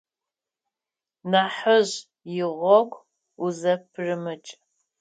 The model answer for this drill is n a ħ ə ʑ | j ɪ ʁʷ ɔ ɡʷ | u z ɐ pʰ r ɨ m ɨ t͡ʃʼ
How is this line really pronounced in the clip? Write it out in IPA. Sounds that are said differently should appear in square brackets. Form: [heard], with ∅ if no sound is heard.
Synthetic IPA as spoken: n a ħ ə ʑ | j ɪ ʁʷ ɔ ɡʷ | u z ɐ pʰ r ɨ m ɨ t͡ʃʼ